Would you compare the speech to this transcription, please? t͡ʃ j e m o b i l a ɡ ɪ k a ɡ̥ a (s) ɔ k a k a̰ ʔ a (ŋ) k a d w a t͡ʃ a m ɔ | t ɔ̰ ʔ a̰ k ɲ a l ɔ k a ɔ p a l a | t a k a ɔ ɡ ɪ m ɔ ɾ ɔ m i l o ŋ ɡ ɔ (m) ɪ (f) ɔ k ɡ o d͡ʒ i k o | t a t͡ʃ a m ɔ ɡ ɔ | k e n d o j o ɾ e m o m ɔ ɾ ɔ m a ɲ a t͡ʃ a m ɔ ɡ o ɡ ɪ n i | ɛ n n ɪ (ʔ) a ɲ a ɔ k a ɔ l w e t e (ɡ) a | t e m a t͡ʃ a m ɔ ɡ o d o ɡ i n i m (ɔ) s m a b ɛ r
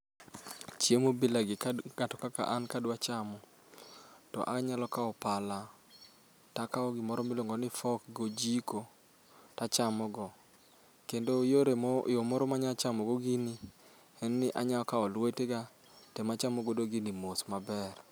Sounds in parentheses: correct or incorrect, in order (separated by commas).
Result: incorrect, incorrect, incorrect, correct, correct, correct, incorrect